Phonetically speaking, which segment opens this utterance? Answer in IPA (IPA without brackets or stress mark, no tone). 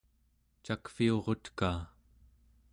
t͡ʃ